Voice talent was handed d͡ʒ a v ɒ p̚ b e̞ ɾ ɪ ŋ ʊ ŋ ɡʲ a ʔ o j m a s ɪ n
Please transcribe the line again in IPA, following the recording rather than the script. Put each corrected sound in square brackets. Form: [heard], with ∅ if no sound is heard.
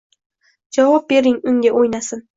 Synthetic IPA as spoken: d͡ʒ a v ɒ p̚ b e̞ ɾ ɪ ŋ ʊ ŋ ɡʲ a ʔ o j [n] a s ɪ n